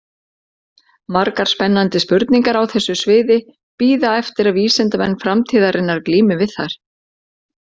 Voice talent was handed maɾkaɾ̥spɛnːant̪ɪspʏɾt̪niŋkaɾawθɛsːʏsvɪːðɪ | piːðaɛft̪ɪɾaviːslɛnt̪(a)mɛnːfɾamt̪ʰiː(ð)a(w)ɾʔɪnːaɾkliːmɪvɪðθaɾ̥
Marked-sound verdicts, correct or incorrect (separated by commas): correct, correct, incorrect